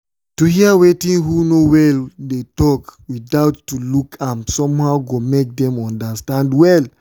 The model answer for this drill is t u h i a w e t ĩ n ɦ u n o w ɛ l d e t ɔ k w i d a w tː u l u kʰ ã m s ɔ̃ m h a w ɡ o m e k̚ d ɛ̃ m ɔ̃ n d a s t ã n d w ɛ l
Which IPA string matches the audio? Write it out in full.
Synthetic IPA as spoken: t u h i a w e t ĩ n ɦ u n o w ɛ l d e t ɔ k w i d a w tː u l u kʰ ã m s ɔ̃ m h a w ɡ o m e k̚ d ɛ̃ m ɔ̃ n d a s t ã n d w ɛ l